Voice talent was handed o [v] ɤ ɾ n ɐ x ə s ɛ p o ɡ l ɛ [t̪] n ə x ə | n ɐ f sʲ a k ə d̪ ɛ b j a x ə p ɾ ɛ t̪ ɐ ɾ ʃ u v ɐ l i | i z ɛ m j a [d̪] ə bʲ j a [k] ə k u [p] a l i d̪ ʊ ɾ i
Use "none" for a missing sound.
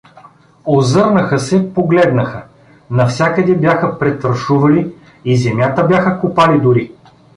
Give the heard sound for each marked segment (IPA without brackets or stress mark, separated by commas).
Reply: z, d̪, t̪, x, p